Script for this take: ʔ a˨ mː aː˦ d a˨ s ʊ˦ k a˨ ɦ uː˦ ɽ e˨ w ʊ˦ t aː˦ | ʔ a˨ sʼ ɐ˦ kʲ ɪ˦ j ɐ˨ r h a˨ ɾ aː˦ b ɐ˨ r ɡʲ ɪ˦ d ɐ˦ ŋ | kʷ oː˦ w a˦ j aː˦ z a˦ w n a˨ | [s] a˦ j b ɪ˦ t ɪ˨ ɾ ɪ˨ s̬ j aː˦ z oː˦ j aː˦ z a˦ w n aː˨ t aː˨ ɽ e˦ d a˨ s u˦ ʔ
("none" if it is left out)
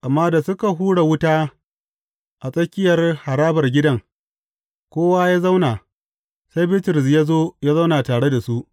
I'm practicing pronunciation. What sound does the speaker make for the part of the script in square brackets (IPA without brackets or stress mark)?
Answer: s